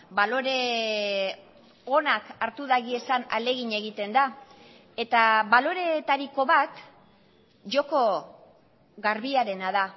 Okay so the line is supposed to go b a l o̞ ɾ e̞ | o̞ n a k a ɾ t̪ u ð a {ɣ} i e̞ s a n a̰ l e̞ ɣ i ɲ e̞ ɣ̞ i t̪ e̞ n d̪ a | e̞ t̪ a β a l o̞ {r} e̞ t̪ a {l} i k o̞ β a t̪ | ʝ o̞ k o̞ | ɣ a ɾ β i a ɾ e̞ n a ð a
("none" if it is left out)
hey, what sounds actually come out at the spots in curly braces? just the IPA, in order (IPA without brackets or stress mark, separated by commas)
ɣ, ɾ, ɾ